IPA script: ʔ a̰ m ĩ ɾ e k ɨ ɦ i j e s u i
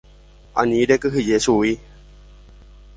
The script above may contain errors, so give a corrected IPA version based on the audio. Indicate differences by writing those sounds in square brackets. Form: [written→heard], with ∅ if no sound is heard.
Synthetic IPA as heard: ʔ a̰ [m→n] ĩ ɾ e k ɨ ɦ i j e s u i